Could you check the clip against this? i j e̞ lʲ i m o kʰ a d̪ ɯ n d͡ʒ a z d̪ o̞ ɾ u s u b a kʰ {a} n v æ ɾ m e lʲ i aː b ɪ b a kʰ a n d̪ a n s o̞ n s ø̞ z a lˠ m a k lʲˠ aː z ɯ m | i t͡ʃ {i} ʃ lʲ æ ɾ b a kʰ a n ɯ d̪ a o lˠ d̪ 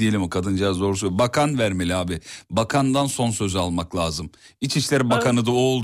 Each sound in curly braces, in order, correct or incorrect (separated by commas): correct, correct